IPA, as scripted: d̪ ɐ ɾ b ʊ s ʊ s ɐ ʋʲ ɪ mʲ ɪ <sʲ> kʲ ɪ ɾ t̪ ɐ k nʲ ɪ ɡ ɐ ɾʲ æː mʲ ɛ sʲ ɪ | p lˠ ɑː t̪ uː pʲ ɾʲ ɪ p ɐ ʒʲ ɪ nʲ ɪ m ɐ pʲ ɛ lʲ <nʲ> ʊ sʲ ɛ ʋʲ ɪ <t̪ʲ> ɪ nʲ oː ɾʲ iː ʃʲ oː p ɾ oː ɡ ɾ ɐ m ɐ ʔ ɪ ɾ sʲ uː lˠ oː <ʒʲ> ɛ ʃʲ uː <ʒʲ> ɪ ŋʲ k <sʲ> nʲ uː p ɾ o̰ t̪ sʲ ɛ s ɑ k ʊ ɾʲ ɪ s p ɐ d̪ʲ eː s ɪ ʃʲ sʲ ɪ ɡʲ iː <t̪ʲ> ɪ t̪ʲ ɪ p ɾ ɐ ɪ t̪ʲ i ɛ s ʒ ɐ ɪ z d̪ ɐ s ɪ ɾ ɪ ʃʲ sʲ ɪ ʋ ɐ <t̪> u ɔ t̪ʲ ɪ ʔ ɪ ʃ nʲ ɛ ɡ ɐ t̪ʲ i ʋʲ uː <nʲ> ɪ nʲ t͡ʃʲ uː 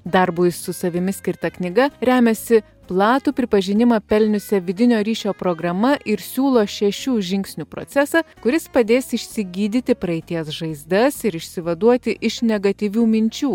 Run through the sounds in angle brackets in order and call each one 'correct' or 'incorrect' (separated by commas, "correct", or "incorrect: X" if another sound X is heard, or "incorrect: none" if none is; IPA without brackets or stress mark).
correct, correct, incorrect: d̪ʲ, incorrect: ʃʲ, correct, correct, incorrect: d̪ʲ, incorrect: d̪, incorrect: mʲ